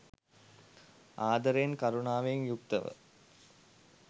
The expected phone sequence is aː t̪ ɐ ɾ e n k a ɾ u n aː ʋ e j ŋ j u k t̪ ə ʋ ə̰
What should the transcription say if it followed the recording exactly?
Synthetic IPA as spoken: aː d̪ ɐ ɾ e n k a ɾ u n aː ʋ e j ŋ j u k t̪ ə ʋ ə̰